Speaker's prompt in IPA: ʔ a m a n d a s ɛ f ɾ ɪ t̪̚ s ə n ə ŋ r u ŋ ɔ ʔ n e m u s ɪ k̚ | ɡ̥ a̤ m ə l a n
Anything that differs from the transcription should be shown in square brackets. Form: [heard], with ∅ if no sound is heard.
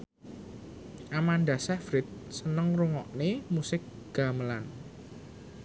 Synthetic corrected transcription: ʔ a m a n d a s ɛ f ɾ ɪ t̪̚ s ə n ə ŋ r u ŋ ɔ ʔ n e m u s ɪ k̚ | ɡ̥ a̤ m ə l a n